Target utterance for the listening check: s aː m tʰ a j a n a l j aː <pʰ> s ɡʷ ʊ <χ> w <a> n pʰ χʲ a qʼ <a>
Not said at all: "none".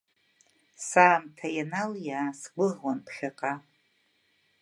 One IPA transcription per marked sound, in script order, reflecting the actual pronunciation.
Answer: none, ʁ, a, a

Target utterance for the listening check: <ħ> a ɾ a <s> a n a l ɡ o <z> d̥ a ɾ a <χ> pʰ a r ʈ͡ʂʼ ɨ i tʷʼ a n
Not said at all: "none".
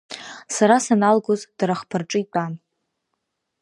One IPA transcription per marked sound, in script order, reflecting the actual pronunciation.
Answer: s, s, z, χ

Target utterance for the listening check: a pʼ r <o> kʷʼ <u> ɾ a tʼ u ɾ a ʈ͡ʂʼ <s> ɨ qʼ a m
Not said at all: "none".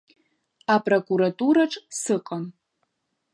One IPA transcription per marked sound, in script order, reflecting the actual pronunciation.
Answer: o, u, s

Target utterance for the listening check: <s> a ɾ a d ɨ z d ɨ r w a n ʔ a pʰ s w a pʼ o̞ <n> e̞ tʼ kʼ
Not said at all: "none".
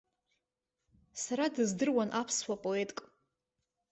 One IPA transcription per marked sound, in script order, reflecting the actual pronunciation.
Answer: s, none

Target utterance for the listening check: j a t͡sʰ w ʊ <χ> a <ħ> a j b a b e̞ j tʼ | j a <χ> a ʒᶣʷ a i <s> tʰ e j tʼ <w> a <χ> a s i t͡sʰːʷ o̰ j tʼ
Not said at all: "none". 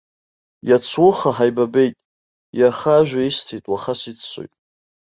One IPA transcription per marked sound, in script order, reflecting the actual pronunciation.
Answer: χ, ħ, χ, s, w, χ

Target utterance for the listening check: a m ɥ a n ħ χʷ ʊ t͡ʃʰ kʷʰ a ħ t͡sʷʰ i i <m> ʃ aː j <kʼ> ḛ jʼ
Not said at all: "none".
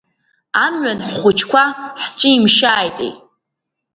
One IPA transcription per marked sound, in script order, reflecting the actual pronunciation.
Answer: m, tʼ

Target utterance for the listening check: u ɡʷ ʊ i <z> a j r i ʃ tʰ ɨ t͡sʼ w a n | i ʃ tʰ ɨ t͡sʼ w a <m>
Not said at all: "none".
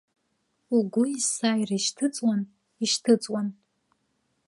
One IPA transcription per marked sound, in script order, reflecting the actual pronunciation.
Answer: s, n

